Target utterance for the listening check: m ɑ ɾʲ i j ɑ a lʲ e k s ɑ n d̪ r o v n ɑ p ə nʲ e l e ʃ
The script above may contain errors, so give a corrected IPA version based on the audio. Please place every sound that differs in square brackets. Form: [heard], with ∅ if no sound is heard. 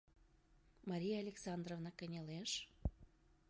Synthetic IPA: m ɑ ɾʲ i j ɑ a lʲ e k s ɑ n d̪ r o v n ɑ [k] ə nʲ e l e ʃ